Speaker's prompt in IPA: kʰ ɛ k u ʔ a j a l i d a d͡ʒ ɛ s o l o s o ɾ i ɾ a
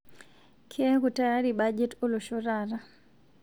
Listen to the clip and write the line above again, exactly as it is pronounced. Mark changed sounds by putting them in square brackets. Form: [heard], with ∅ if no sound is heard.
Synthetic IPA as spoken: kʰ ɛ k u [t] a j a [ɾ] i [b] a d͡ʒ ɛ [t] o l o [ʃ] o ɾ [a] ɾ a